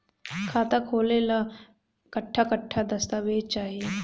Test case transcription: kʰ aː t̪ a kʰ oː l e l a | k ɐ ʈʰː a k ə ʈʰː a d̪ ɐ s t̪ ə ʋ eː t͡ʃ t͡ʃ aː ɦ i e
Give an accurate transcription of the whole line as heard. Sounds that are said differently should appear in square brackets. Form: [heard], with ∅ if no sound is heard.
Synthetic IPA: kʰ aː t̪ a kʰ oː l e l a | k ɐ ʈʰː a k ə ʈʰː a d̪ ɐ s t̪ [a] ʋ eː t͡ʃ t͡ʃ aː ɦ i e